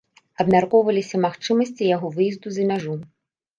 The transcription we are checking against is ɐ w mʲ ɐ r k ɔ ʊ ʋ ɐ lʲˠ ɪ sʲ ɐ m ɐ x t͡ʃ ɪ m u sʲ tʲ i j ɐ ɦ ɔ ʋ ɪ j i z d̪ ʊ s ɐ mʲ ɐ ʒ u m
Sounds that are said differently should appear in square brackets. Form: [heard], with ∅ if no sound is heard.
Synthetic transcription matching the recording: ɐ [b] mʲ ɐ r k ɔ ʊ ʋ ɐ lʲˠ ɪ sʲ ɐ m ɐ x t͡ʃ ɪ m [ɔ] sʲ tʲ i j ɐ ɦ ɔ ʋ ɪ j i z d̪ ʊ [z] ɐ mʲ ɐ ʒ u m